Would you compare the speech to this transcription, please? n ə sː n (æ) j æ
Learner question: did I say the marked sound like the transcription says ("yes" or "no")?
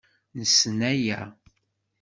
yes